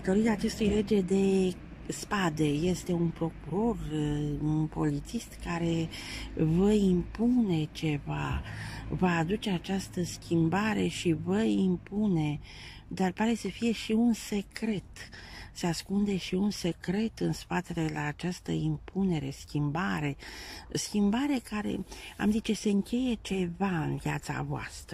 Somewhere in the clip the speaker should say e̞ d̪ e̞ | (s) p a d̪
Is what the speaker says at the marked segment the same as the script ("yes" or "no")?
yes